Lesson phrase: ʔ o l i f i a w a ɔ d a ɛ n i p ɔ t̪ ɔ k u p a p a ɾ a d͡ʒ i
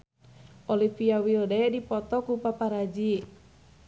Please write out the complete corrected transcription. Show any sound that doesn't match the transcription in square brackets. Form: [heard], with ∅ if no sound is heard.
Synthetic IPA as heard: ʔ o l i f i a w [i] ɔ d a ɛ [d] i p ɔ t̪ ɔ k u p a p a ɾ a d͡ʒ i